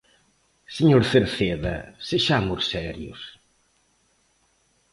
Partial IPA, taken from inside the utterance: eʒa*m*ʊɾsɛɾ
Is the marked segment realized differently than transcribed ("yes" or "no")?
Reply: no